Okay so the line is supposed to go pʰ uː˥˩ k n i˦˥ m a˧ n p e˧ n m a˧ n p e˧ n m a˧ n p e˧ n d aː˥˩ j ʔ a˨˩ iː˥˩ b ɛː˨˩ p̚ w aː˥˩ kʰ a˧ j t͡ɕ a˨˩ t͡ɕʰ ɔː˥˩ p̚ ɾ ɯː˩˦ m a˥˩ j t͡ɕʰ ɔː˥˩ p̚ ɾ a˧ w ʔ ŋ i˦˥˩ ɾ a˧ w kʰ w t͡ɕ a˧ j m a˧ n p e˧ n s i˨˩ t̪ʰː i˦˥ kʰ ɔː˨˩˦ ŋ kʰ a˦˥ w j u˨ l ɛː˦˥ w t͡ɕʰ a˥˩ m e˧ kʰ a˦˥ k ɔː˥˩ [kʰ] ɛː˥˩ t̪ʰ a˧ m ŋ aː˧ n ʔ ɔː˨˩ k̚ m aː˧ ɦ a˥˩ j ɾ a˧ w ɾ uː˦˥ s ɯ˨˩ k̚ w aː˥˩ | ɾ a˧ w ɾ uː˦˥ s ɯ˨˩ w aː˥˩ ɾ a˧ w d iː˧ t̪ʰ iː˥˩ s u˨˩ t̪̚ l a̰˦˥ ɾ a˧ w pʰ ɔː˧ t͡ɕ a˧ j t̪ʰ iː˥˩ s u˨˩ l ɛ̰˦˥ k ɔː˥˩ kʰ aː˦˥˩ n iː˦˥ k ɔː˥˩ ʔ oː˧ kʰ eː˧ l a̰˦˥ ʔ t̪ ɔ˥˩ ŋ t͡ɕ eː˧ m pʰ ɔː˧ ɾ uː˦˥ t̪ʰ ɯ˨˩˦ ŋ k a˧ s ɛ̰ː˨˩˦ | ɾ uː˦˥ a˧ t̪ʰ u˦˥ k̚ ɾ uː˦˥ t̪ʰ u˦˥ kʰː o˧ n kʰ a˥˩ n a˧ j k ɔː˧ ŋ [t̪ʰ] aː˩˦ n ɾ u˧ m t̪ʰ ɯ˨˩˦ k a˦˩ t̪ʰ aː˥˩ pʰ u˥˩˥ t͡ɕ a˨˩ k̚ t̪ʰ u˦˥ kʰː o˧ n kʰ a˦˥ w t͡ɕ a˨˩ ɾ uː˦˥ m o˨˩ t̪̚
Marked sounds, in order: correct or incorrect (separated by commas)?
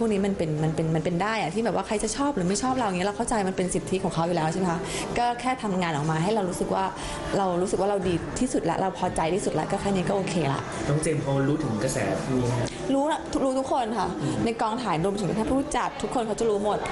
correct, correct